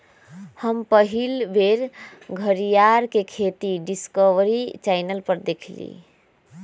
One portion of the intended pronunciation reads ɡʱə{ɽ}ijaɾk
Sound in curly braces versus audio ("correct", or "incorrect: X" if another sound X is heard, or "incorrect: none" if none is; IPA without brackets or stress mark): incorrect: ɾ